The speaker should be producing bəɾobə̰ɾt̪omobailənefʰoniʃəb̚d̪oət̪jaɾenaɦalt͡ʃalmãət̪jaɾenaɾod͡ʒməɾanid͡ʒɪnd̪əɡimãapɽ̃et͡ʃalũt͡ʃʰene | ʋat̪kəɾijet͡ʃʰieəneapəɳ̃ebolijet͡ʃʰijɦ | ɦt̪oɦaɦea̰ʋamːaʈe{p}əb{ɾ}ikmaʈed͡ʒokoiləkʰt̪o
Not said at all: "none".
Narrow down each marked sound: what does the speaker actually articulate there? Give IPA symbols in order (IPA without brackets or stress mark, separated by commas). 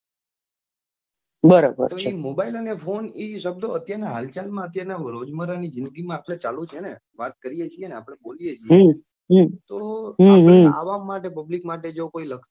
p, l